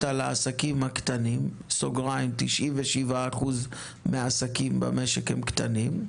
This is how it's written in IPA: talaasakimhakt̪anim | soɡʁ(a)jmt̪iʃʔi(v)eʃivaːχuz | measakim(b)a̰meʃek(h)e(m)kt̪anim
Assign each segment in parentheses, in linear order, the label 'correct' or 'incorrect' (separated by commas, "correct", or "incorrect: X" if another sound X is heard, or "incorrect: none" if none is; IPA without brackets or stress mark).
correct, correct, correct, correct, correct